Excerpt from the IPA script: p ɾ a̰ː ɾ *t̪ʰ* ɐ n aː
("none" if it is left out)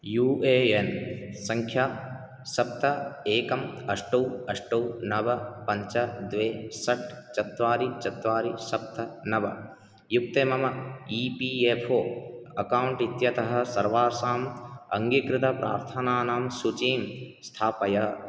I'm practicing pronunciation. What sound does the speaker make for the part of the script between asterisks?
t̪ʰ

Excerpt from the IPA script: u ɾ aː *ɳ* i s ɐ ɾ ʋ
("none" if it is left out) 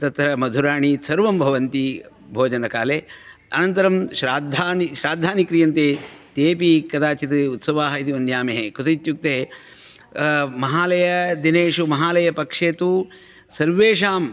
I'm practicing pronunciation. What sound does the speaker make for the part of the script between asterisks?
ɳ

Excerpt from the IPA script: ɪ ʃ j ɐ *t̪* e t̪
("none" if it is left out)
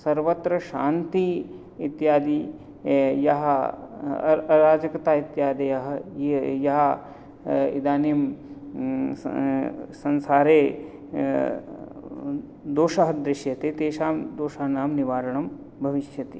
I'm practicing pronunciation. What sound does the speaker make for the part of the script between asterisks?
t̪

